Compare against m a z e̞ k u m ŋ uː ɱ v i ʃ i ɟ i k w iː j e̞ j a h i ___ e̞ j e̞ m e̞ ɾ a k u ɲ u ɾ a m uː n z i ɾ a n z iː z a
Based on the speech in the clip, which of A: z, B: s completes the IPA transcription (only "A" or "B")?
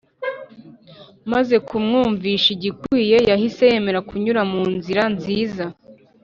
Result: B